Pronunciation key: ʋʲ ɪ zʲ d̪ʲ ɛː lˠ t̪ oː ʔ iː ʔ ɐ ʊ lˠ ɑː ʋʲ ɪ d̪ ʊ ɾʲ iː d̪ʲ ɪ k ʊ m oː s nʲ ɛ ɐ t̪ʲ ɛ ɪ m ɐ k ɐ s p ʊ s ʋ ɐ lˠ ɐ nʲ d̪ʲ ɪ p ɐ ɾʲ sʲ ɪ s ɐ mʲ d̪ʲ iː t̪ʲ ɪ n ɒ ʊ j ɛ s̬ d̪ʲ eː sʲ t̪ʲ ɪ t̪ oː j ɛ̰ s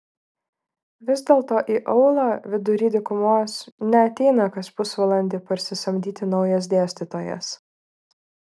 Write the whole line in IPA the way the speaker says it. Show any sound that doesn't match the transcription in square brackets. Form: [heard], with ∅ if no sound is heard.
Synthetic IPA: ʋʲ ɪ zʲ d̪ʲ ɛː lˠ t̪ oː ʔ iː ʔ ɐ ʊ lˠ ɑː ʋʲ ɪ d̪ ʊ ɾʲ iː d̪ʲ ɪ k ʊ m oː s nʲ ɛ ɐ t̪ʲ ɛ ɪ [n] ɐ k ɐ s p ʊ s ʋ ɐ lˠ ɐ nʲ d̪ʲ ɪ p ɐ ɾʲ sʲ ɪ s ɐ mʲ d̪ʲ iː t̪ʲ ɪ n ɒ ʊ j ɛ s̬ d̪ʲ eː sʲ t̪ʲ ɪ t̪ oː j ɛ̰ s